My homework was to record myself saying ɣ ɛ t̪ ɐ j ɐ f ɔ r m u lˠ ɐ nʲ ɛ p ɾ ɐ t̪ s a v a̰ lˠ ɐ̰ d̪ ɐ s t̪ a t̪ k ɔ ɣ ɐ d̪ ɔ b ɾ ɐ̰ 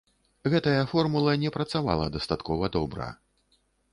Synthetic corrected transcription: ɣ ɛ t̪ ɐ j ɐ f ɔ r m u lˠ ɐ nʲ ɛ p ɾ ɐ t̪ s a v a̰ lˠ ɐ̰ d̪ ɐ s t̪ a t̪ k ɔ v ɐ d̪ ɔ b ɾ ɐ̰